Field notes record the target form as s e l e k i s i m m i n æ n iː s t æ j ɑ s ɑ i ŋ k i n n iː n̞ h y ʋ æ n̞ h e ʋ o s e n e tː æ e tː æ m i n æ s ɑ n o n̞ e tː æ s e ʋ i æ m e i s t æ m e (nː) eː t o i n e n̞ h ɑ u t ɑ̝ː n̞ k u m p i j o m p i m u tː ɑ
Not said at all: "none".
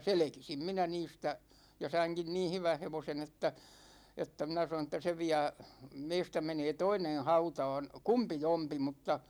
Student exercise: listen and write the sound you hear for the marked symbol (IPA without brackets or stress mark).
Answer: n